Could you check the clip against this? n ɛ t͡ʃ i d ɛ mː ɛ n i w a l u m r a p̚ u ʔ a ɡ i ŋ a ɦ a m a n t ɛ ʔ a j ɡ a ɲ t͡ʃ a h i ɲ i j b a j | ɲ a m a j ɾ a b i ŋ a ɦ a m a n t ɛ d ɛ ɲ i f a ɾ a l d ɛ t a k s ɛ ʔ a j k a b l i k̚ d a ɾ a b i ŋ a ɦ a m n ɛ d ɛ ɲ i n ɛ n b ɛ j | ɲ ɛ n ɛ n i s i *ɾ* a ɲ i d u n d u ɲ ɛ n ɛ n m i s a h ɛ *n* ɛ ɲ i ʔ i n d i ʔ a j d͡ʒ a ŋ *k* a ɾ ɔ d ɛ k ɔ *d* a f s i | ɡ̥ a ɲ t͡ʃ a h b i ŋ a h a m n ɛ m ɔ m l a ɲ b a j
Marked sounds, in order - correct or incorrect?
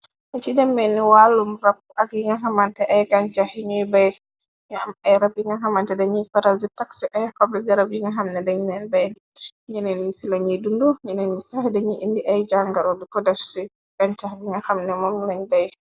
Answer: incorrect, incorrect, incorrect, correct

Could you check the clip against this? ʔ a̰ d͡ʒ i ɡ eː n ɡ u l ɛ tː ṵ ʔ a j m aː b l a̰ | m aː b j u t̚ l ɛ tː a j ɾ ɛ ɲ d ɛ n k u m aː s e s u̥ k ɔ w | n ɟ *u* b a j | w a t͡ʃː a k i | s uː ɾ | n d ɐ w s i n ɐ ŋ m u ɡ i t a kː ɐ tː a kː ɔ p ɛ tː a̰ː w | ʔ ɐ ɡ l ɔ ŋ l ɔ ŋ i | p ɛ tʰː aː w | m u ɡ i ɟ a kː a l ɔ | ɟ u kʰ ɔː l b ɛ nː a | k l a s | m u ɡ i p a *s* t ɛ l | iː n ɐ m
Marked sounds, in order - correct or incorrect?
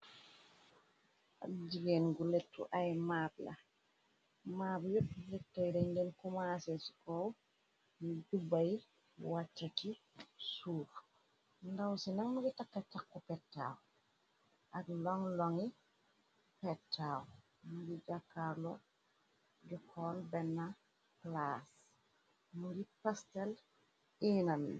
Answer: correct, correct

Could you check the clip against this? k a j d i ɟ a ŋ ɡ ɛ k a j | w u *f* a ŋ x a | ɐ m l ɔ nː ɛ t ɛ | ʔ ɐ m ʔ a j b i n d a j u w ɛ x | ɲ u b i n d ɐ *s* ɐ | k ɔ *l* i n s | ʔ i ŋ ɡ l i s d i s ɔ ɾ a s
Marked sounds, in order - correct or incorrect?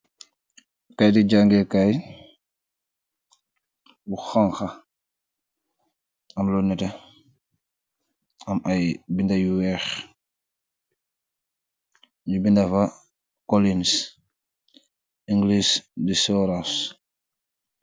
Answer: incorrect, incorrect, correct

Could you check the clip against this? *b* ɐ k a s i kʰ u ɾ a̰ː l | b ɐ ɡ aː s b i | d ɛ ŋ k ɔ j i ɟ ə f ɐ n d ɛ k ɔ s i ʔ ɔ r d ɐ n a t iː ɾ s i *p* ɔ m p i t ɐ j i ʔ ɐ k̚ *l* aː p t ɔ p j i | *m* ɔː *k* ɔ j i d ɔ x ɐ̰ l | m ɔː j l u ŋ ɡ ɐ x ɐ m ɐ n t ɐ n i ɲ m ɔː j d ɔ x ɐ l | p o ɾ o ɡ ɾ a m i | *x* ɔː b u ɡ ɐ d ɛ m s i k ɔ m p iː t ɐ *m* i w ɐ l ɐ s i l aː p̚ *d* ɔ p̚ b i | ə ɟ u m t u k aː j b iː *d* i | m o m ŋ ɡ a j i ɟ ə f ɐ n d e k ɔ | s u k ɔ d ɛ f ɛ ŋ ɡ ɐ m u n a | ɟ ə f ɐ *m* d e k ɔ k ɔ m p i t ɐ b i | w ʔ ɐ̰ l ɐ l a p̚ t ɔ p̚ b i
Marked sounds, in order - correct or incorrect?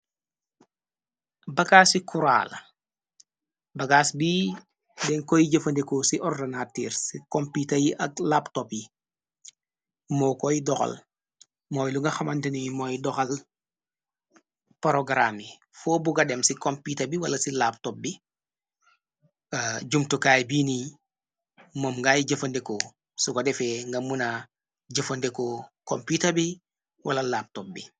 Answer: correct, incorrect, correct, correct, correct, incorrect, incorrect, incorrect, incorrect, incorrect

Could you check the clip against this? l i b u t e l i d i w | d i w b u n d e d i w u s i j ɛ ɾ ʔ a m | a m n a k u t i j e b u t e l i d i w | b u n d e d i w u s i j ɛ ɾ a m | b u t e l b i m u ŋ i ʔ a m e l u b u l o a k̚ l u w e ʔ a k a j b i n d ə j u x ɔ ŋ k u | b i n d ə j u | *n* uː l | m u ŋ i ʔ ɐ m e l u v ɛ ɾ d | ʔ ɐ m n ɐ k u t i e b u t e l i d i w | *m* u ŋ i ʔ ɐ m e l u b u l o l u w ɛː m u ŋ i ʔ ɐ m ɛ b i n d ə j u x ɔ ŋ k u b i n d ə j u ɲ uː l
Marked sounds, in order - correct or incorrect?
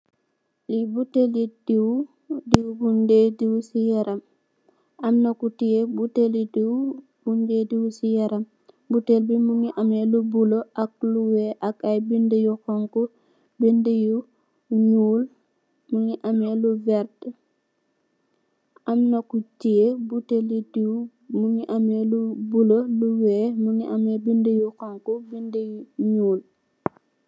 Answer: incorrect, correct

